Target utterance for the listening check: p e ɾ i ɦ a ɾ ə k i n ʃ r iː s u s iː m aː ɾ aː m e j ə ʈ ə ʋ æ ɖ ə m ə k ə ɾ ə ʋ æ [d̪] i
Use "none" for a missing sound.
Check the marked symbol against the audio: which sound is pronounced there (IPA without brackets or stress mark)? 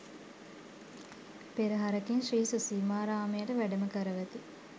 t̪